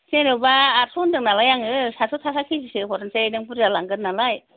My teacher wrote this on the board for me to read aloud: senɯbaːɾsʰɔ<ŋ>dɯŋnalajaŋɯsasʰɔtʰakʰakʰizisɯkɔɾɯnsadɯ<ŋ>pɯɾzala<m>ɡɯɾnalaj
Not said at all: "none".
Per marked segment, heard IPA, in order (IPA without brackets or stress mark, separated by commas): n, ŋ, ŋ